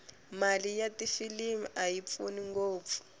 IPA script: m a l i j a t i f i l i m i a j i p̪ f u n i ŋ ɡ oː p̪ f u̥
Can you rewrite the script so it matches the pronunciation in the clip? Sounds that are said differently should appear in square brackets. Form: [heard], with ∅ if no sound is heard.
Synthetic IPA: m a l i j a t i f i l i m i a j i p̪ f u n i ŋ ɡ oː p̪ f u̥